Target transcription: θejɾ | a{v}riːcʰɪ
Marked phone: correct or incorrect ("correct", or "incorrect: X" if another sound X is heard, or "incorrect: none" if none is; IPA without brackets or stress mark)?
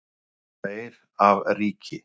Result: correct